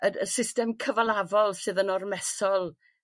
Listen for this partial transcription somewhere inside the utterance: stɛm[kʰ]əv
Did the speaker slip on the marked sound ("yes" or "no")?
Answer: no